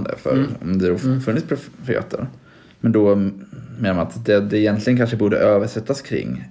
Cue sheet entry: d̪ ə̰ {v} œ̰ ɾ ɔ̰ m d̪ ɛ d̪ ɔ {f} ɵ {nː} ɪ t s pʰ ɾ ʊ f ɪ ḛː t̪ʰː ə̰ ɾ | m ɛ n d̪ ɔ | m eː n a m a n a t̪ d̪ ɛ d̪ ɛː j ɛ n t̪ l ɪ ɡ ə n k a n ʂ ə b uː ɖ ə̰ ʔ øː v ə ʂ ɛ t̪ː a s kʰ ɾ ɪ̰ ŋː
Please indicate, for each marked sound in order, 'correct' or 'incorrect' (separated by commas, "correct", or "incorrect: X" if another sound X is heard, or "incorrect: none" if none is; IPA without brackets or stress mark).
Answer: incorrect: f, correct, correct